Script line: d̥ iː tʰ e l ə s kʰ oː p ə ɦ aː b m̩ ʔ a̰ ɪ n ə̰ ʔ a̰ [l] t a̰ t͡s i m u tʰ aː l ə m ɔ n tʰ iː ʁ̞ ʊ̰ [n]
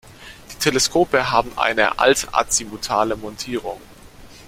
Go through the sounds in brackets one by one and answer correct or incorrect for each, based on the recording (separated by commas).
correct, incorrect